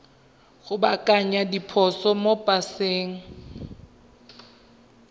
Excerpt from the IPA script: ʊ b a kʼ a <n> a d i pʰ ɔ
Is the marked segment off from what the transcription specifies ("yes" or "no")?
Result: yes